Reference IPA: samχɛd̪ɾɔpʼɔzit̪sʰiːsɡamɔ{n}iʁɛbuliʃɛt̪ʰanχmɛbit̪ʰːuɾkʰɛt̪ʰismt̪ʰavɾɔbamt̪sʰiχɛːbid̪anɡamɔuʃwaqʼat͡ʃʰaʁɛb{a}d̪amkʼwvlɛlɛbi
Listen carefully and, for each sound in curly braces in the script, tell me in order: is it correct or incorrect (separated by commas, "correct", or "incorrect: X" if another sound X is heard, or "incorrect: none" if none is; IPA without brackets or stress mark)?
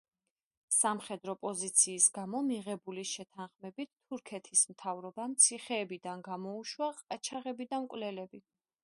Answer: incorrect: m, incorrect: i